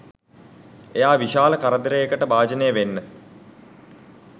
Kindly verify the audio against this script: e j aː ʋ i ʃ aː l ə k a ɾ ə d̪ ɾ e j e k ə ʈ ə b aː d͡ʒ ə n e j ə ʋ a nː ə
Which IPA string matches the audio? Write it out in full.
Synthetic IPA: e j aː ʋ i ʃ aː l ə k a ɾ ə d̪ ɾ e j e k ə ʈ ə b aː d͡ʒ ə n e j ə ʋ e nː ə